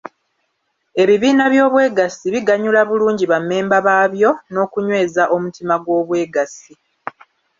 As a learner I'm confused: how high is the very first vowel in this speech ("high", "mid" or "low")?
mid